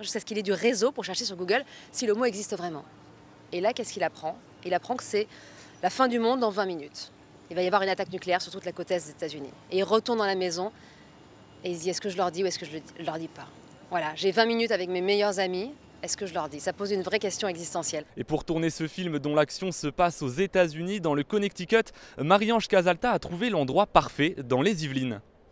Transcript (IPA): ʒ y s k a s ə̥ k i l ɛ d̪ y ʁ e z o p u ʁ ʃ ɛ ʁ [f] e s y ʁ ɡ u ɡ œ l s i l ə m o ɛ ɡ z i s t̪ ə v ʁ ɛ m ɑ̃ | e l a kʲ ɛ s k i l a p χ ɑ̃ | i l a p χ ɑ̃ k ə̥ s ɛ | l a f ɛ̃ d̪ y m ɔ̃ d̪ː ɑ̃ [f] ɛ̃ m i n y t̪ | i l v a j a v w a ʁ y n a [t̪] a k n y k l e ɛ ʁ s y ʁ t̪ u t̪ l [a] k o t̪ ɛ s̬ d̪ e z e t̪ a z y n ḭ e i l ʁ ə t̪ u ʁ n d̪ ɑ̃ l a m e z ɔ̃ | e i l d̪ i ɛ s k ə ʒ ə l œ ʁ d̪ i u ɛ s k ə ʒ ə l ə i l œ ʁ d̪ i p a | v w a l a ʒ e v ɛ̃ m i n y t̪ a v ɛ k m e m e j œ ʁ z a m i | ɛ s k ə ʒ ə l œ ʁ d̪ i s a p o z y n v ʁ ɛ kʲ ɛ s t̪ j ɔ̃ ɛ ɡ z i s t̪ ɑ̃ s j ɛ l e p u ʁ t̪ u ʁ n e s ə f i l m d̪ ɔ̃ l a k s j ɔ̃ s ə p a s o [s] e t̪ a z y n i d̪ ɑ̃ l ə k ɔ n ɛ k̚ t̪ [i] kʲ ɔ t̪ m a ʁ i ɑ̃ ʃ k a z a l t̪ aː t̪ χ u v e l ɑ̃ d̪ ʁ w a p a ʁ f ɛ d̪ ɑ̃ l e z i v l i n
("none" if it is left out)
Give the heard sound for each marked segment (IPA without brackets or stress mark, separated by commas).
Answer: ʃ, v, t̪, a, z, i